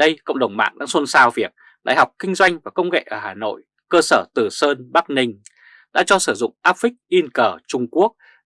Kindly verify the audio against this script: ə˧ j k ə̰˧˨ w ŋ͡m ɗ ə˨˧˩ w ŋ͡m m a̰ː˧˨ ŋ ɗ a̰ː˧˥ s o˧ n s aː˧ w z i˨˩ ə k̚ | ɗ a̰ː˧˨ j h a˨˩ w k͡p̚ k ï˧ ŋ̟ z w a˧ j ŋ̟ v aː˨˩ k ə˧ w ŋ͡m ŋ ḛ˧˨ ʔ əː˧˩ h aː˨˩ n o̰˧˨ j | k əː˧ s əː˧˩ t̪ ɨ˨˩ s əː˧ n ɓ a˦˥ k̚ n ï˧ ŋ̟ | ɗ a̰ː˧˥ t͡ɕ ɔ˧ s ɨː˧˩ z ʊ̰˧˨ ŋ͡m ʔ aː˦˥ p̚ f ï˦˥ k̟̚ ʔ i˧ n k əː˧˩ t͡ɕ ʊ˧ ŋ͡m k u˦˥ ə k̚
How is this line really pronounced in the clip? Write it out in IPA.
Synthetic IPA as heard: ə˧ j k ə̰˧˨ w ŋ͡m ɗ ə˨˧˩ w ŋ͡m m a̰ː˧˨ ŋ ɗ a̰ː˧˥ s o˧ n s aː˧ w v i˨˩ ə k̚ | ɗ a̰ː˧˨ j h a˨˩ w k͡p̚ k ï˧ ŋ̟ z w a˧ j ŋ̟ v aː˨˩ k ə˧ w ŋ͡m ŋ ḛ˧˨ ʔ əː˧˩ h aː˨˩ n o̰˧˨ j | k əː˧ s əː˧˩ t̪ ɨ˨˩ s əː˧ n ɓ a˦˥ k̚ n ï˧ ŋ̟ | ɗ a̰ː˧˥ t͡ɕ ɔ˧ s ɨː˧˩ z ʊ̰˧˨ ŋ͡m ʔ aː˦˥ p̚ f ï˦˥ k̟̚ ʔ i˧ n k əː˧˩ t͡ɕ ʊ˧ ŋ͡m k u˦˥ ə k̚